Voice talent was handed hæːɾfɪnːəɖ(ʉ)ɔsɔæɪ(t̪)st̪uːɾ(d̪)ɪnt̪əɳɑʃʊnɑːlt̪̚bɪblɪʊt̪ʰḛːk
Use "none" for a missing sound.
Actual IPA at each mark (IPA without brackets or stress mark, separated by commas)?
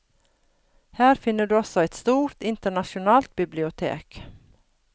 ʉː, t̪, t̪